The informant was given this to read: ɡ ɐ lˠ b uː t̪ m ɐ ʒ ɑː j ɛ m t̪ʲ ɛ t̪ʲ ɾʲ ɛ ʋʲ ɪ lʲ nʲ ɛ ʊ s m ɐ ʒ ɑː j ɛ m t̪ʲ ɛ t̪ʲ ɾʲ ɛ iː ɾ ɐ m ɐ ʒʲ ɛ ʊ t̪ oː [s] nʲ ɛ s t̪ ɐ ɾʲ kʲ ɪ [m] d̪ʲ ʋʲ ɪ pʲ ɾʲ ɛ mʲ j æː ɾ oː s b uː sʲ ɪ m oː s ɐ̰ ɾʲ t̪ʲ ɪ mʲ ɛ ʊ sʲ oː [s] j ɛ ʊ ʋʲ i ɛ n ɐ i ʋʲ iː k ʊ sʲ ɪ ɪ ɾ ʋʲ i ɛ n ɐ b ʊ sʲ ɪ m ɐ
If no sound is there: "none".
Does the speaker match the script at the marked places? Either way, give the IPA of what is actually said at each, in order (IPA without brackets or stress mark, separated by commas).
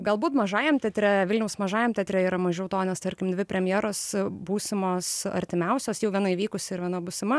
none, m, s